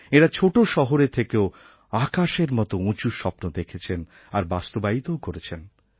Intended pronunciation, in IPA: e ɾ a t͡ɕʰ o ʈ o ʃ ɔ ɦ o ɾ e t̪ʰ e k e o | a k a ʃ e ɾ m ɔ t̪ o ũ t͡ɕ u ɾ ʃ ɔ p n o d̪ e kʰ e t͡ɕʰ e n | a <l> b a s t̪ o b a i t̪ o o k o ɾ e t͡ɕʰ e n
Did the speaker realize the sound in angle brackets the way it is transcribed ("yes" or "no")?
no